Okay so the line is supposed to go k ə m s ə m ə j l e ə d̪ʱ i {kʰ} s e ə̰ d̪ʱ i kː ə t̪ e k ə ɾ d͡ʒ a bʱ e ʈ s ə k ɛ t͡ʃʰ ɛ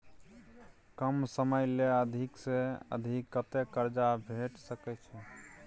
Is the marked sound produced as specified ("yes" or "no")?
no